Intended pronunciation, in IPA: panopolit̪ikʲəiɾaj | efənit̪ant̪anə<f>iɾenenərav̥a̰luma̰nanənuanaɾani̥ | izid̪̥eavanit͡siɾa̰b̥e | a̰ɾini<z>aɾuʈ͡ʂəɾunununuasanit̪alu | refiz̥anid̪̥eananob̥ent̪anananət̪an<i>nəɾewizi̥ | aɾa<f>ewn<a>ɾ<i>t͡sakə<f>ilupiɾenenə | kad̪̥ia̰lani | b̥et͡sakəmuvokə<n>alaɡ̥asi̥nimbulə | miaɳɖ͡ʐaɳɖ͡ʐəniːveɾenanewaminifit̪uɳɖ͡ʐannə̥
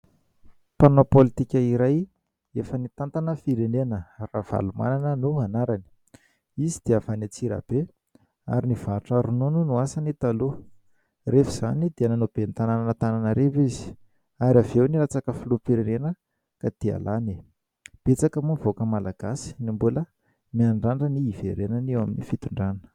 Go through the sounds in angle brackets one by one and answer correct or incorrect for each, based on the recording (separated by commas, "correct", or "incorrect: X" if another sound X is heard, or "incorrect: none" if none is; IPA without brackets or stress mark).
correct, incorrect: v, incorrect: a, incorrect: v, incorrect: i, incorrect: a, correct, incorrect: m